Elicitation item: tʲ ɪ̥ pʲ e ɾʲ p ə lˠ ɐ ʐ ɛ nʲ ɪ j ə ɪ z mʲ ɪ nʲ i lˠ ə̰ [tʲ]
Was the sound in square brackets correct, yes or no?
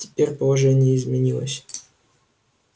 no